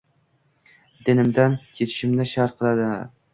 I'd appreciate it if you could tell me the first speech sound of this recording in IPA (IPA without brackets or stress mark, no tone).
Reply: d̪